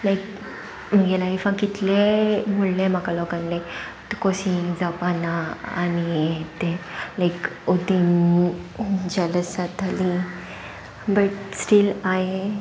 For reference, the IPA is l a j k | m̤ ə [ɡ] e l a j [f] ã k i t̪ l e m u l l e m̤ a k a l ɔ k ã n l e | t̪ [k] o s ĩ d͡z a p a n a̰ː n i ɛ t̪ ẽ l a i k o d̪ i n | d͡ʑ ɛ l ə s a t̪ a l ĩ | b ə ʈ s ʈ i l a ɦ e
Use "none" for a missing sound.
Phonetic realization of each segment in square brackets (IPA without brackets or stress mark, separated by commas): ɡ, f, k